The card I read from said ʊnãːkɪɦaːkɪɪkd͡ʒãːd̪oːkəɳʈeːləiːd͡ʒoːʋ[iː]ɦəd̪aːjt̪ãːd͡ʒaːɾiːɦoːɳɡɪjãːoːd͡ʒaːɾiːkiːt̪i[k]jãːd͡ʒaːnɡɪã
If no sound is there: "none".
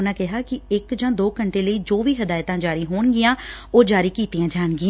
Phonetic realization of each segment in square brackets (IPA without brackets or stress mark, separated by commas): iː, none